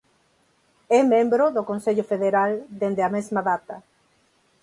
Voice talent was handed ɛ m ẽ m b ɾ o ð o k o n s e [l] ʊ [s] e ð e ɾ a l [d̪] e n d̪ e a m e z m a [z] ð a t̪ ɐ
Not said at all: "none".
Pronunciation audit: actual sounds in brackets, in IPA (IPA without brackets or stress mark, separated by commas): ʎ, f, d̪, none